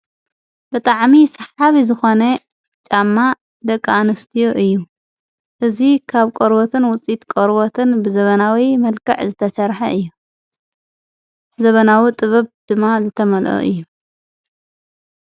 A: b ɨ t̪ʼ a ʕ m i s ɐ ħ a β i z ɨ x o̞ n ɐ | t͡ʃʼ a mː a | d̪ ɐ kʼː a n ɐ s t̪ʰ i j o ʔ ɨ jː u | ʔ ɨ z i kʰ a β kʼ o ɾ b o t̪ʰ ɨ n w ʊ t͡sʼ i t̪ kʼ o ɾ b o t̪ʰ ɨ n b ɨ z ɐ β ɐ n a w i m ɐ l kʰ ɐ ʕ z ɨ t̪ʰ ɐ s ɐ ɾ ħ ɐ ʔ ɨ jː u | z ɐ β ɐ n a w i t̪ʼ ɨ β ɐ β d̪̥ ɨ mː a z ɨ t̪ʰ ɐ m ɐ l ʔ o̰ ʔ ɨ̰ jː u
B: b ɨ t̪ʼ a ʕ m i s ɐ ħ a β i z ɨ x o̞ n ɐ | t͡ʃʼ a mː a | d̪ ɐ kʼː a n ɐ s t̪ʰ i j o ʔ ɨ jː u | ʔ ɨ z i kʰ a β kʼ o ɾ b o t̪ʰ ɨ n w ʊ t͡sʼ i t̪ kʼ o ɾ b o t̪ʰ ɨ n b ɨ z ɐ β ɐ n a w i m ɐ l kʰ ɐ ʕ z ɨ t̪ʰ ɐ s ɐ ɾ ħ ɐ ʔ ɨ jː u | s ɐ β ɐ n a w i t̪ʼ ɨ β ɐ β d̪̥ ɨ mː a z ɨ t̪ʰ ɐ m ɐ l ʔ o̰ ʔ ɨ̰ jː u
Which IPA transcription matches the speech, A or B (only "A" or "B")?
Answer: A